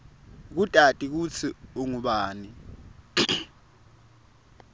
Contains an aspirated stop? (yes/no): yes